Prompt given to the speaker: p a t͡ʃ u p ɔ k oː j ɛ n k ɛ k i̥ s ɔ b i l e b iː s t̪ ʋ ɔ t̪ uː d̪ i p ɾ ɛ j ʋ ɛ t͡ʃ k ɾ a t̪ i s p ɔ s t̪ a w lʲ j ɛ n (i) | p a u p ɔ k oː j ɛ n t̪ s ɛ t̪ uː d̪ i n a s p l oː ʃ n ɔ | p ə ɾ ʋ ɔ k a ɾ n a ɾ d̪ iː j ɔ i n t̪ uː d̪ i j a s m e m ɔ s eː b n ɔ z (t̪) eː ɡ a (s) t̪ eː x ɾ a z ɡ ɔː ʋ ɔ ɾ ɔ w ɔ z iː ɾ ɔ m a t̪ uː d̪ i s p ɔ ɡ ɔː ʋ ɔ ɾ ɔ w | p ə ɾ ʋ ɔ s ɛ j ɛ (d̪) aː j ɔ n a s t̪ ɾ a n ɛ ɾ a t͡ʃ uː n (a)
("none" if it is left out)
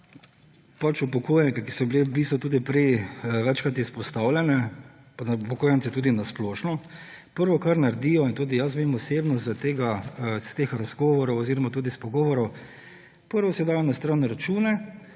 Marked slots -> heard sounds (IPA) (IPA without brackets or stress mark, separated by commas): ɛ, t̪, s, d̪, ɛ